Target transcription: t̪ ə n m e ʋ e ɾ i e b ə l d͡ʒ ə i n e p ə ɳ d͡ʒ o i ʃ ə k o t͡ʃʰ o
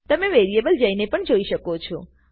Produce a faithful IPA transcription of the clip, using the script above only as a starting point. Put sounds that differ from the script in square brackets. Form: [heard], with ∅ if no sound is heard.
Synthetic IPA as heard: t̪ ə [∅] m e ʋ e ɾ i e b ə l d͡ʒ ə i n e p ə ɳ d͡ʒ o i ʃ ə k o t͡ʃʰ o